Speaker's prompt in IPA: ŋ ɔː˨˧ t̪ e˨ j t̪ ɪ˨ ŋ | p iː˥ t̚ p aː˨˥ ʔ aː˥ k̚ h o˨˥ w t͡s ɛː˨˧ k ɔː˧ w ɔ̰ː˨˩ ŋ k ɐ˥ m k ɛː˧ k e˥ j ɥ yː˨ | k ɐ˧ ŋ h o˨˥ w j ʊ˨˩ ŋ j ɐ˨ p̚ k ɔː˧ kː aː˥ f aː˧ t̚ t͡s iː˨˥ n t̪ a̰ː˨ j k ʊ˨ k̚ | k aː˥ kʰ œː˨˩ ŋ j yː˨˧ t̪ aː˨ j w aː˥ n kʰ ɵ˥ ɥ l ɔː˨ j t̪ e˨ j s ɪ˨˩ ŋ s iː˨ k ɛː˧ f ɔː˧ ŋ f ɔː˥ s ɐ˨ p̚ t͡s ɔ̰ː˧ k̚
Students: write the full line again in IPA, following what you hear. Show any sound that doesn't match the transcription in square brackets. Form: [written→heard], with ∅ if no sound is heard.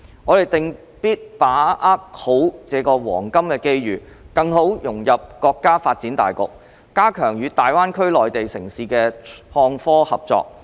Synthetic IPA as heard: ŋ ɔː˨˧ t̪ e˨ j t̪ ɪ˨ ŋ | p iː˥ t̚ p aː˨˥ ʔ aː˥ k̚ h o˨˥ w t͡s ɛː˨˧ k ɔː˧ w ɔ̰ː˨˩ ŋ k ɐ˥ m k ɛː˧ k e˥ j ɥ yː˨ | k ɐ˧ ŋ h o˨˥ w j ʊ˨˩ ŋ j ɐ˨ p̚ k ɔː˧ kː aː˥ f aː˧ t̚ t͡s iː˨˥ n t̪ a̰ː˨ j k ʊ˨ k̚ | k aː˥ kʰ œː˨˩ ŋ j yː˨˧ t̪ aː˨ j w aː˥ n kʰ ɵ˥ ɥ l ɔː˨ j t̪ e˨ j s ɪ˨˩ ŋ s iː˨ k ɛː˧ [f→h] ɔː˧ ŋ f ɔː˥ [s→h] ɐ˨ p̚ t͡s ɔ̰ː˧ k̚